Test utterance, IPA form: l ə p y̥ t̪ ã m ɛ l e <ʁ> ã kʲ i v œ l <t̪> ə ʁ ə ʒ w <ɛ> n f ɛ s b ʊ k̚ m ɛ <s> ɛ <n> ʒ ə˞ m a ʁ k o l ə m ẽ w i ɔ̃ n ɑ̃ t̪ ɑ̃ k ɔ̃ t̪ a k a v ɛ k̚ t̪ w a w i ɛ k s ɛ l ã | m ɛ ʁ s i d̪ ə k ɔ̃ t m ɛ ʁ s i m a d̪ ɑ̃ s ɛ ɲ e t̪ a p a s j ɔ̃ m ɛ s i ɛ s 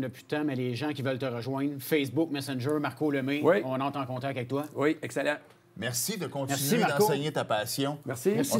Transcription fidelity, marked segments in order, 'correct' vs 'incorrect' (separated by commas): incorrect, correct, incorrect, correct, correct